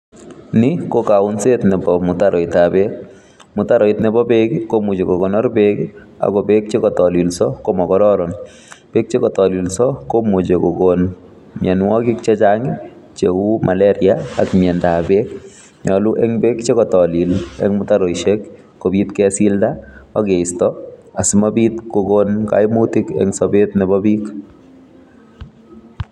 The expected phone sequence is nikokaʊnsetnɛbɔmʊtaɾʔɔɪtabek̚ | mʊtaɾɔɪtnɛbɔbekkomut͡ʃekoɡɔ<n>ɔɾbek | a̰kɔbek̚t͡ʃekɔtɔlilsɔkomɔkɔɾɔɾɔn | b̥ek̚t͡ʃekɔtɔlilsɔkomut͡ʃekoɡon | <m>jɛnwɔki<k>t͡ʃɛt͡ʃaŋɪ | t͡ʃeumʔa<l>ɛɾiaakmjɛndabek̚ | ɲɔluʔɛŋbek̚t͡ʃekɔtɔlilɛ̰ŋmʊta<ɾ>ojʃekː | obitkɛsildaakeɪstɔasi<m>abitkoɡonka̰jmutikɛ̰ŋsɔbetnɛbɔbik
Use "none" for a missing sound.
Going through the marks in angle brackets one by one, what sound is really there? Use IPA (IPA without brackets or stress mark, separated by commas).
n, m, k, l, ɾ, m